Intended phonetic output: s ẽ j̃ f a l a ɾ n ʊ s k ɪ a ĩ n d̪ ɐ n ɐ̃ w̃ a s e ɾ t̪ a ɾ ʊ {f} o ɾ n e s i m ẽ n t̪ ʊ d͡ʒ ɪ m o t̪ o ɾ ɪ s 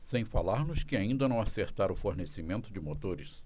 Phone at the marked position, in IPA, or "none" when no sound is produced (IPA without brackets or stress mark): f